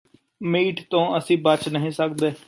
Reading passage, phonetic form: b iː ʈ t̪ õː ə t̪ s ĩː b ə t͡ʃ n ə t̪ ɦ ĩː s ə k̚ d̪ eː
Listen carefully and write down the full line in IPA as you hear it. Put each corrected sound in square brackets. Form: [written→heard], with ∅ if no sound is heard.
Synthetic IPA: [b→m] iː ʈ t̪ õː ə [t̪→∅] s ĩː b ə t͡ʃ n ə [t̪→∅] ɦ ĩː s ə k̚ d̪ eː